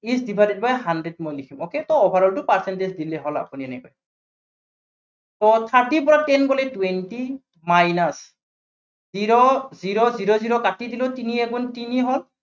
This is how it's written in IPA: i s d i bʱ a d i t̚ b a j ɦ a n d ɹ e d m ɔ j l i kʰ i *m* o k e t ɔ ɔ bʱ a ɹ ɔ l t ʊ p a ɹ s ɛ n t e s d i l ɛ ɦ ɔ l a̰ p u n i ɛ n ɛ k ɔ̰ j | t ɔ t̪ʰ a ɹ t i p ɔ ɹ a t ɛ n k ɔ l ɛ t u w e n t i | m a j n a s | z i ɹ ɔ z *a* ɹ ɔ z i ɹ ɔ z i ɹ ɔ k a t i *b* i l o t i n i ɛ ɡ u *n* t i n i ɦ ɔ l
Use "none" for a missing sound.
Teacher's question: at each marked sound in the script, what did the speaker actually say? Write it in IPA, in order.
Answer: m, i, d, n

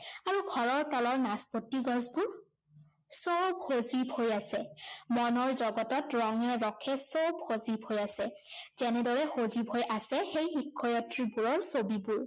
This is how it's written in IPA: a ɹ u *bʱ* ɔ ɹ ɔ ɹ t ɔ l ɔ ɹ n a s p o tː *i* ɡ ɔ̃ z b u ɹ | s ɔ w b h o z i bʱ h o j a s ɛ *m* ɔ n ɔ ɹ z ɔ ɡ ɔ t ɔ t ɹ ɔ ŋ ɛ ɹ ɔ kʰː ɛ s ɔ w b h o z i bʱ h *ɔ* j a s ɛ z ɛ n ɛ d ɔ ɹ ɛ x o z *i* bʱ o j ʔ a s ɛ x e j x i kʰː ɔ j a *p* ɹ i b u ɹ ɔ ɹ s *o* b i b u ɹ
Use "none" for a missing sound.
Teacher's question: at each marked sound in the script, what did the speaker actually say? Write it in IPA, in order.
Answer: ɡʱ, i, m, o, i, t, o

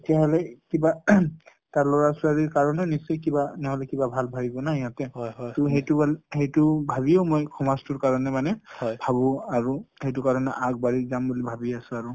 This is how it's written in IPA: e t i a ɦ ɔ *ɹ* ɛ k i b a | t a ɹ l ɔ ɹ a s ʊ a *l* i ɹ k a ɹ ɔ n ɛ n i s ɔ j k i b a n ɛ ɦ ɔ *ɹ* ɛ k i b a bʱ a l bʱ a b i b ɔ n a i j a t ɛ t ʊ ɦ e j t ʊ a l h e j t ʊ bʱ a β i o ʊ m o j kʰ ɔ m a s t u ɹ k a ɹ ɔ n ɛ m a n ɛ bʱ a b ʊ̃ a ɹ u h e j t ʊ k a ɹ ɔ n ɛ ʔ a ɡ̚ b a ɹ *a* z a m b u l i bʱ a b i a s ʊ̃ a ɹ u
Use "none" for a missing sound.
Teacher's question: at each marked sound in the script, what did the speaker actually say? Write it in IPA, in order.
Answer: l, ɹ, l, i

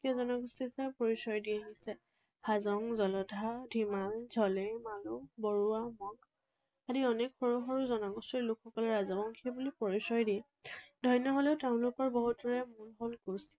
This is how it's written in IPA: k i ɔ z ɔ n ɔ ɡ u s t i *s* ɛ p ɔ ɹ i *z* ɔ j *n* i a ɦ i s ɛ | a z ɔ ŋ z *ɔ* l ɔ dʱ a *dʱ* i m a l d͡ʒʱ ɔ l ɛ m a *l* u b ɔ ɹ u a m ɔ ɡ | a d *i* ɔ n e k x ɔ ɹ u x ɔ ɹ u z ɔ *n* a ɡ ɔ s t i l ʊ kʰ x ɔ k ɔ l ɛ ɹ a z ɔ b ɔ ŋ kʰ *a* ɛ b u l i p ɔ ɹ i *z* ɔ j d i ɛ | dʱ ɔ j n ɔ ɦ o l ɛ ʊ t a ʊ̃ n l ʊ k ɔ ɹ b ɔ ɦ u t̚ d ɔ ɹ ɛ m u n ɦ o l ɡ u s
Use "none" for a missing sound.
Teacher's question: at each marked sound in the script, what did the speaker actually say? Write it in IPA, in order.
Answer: s, s, d, ɔ, dʱ, l, i, n, i, s

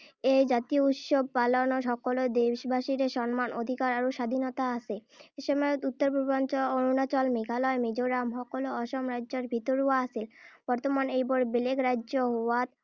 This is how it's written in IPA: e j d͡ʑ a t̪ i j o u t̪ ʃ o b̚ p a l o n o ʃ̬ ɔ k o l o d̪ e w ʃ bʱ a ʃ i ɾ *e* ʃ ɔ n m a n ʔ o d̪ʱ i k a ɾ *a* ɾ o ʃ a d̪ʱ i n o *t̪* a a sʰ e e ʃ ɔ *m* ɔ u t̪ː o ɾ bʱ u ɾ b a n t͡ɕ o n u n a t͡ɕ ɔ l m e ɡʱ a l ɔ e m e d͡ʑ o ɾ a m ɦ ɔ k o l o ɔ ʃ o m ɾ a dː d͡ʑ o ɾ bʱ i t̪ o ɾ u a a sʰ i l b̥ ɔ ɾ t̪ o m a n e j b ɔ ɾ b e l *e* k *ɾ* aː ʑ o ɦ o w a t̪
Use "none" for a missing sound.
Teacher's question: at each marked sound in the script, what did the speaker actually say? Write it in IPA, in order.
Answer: e, a, t̪, m, e, ɾ

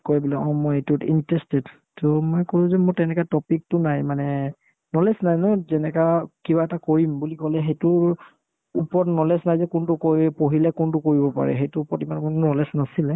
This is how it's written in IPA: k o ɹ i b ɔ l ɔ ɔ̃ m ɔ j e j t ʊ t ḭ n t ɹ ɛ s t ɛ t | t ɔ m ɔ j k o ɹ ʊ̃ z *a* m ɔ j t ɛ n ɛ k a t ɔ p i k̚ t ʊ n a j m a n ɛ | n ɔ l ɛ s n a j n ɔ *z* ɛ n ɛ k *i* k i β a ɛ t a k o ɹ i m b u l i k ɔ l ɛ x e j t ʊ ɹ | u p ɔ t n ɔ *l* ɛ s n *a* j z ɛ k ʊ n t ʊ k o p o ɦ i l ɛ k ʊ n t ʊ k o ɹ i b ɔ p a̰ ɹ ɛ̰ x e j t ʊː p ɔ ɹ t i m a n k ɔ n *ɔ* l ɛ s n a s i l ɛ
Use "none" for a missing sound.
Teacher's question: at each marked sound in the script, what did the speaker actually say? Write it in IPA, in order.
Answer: ɛ, z, a, l, a, ɔ

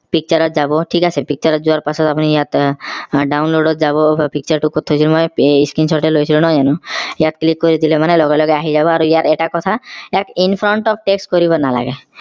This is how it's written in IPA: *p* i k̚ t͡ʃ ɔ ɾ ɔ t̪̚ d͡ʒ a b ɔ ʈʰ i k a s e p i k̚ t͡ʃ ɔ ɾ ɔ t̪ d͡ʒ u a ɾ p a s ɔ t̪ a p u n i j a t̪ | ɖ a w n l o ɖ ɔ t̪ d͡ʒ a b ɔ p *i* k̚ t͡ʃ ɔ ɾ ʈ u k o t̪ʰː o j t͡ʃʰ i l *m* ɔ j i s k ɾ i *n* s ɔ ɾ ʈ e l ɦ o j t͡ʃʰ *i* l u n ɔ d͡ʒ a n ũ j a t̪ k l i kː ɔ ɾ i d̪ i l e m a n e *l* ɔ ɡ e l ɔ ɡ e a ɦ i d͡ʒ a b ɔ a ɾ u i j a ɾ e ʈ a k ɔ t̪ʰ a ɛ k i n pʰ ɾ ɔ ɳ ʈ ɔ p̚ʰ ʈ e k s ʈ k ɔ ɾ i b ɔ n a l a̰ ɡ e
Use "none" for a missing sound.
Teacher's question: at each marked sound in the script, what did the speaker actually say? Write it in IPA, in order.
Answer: p, i, m, n, i, l

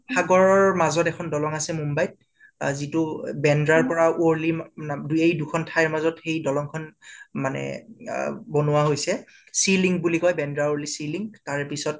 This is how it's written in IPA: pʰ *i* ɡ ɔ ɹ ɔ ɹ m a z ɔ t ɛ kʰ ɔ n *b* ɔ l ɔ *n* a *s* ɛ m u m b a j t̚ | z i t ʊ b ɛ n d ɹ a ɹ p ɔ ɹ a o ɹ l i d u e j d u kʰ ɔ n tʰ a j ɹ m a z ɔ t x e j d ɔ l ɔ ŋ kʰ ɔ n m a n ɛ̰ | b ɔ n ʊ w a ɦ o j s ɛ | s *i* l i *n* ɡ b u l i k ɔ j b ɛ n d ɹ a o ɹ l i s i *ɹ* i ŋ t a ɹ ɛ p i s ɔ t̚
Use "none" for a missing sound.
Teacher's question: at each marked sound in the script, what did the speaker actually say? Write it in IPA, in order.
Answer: a, d, ŋ, s, i, ŋ, l

